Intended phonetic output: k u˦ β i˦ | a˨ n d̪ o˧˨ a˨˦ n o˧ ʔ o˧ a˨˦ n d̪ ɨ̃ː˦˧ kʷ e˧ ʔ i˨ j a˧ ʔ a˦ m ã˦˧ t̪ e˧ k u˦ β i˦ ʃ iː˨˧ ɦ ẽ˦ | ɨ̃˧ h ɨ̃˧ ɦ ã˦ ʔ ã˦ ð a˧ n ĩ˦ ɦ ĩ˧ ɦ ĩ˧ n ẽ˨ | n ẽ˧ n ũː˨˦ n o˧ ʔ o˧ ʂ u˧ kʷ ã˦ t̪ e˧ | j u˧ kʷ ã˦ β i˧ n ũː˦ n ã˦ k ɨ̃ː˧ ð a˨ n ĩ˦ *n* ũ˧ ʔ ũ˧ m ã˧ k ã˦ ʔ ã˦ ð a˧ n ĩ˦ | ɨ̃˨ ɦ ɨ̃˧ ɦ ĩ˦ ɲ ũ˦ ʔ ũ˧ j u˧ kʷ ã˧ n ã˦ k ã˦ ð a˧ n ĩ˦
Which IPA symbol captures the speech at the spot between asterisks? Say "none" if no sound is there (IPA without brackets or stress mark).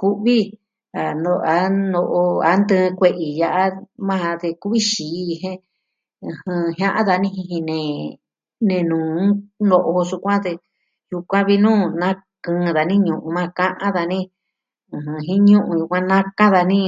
ɲ